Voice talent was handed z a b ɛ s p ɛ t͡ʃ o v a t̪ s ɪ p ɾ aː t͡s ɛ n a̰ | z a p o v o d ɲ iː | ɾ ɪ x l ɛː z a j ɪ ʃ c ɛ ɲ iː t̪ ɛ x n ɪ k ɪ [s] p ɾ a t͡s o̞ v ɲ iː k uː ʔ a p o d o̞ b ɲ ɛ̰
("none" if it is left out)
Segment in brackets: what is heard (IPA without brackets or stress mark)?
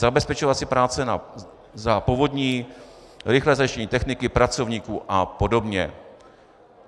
none